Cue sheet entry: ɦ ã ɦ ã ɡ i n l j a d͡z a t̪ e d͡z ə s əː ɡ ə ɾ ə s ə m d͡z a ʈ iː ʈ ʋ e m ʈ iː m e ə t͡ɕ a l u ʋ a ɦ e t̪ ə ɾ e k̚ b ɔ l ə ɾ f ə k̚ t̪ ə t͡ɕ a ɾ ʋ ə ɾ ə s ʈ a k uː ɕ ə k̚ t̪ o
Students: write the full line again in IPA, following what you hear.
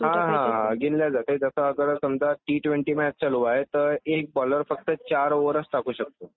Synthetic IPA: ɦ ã ɦ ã ɡ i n l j a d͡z a t̪ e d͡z ə s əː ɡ ə ɾ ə s ə m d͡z a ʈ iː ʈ ʋ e ɳ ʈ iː m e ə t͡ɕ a l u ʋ a ɦ e t̪ ə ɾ e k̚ b ɔ l ə ɾ f ə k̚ t̪ ə t͡ɕ a ɾ ʋ ə ɾ ə s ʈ a k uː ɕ ə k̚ t̪ o